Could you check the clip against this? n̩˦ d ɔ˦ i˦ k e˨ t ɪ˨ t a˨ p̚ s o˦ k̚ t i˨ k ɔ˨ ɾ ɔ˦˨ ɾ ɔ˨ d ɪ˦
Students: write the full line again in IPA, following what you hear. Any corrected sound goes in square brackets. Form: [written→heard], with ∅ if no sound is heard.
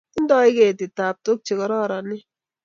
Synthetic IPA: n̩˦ d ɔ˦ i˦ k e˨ t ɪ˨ t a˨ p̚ [s→t] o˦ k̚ [t→t͡ʃ] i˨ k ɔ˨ ɾ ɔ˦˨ ɾ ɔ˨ [d→n] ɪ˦